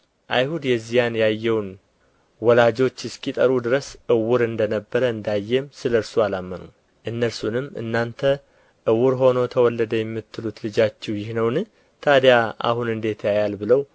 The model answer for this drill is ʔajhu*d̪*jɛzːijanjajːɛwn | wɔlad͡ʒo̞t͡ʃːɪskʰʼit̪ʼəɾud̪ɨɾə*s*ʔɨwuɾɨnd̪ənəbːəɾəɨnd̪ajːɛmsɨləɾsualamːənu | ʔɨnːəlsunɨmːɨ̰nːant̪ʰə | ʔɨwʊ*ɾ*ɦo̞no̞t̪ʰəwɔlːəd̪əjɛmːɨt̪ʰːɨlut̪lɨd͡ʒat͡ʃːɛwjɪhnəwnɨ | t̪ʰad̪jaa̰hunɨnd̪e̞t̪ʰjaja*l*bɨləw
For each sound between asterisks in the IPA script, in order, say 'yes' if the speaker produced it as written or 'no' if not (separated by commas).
yes, yes, yes, yes